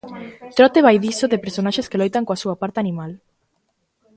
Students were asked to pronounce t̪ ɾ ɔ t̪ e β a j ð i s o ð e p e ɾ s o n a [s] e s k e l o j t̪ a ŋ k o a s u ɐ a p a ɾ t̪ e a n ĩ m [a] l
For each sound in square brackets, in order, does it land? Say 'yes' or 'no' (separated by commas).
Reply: no, yes